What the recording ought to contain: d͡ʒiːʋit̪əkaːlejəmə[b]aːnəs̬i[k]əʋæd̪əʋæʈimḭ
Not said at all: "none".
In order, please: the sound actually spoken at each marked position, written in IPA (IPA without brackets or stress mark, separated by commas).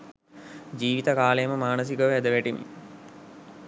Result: m, k